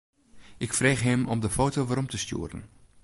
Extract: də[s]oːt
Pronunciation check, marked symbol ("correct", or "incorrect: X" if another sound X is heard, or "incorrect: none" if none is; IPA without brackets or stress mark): incorrect: f